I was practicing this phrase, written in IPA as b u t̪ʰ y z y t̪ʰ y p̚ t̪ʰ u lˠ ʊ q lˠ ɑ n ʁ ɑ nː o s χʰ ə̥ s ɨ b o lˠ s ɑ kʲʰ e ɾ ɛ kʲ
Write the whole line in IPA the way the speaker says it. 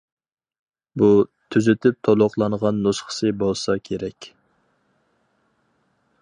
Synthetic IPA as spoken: b u t̪ʰ y z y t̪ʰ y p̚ t̪ʰ o lˠ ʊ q lˠ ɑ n ʁ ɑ nː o s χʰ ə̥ s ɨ b o lˠ s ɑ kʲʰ e ɾ ɛ kʲ

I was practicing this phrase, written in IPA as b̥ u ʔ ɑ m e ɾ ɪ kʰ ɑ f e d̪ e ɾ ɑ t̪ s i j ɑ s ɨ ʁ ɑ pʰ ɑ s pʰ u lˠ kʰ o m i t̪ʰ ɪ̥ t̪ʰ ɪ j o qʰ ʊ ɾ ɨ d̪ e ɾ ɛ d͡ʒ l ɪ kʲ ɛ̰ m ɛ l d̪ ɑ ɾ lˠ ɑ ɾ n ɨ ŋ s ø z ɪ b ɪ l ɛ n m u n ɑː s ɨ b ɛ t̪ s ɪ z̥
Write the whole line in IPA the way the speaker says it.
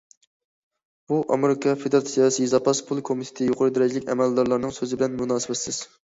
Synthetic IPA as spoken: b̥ u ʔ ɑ m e ɾ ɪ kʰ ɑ f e d̪ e ɾ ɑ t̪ s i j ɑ s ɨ z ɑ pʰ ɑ s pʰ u lˠ kʰ o m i t̪ʰ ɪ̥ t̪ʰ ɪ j o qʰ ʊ ɾ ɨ d̪ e ɾ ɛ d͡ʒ l ɪ kʲ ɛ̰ m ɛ l d̪ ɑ ɾ lˠ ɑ ɾ n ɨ ŋ s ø z ɪ b ɪ l ɛ n m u n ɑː s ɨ b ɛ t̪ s ɪ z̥

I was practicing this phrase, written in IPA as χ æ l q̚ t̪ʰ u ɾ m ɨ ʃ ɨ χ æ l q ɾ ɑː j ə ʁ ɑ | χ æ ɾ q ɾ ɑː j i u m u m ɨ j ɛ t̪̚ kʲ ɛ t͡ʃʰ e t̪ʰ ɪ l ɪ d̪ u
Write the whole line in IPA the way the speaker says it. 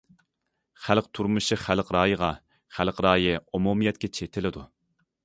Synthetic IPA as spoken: χ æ l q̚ t̪ʰ u ɾ m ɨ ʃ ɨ χ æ l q ɾ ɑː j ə ʁ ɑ | χ æ l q ɾ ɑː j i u m u m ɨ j ɛ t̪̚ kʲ ɛ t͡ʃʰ e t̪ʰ ɪ l ɪ d̪ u

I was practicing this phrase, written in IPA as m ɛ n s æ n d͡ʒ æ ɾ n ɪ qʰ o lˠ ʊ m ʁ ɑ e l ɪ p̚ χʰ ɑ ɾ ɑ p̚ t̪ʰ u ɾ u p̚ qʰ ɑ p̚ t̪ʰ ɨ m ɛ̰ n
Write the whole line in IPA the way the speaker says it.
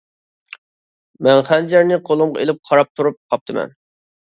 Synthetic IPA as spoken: m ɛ n χ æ n d͡ʒ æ ɾ n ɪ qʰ o lˠ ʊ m ʁ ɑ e l ɪ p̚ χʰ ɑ ɾ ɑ p̚ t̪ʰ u ɾ u p̚ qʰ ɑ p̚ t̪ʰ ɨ m ɛ̰ n

